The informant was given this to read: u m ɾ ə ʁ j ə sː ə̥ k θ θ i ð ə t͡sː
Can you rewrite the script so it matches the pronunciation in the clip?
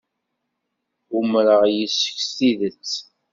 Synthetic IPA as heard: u m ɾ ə ʁ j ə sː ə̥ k s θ i ð ə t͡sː

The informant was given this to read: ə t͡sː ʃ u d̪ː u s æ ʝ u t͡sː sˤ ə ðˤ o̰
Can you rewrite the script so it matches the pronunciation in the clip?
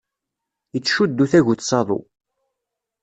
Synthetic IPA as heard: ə t͡sː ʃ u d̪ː u θ æ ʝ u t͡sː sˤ ɑ ðˤ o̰

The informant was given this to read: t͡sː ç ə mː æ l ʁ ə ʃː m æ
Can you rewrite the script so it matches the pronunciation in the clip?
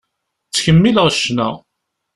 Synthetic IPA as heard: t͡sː ç ə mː i l ʁ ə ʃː n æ

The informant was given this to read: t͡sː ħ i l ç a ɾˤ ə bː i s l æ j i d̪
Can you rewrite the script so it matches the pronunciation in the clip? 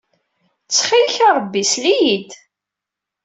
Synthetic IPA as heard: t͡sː χ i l ç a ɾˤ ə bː i s l i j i d̪

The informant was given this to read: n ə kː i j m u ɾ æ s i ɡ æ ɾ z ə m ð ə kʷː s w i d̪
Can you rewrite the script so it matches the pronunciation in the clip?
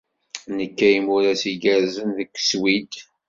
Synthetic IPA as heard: n ə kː æ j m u ɾ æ s i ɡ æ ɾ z ə n ð ə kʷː s w i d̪

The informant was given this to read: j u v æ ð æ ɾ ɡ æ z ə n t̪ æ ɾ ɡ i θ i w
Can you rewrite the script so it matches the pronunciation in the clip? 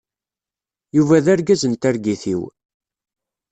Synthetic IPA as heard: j u v æ ð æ ɾ ɡ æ z ə n t̪ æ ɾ ɡ i θ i w

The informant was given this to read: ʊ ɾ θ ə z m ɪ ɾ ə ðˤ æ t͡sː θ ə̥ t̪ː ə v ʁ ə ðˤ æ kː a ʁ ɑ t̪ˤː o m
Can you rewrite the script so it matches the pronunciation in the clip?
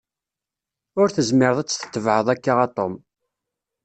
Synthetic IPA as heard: ʊ ɾ θ ə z m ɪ ɾ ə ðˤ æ t͡sː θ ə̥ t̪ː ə v ʕ ə ðˤ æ kː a ʁ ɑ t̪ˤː o m

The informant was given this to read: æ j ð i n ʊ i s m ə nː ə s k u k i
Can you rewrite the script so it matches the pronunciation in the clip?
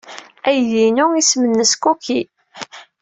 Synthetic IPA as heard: æ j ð i n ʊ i s m ə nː ə s k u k i

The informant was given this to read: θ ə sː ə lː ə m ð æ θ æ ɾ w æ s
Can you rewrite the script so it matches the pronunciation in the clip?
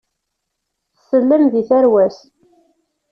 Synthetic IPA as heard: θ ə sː ə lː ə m ð i θ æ ɾ w æ s

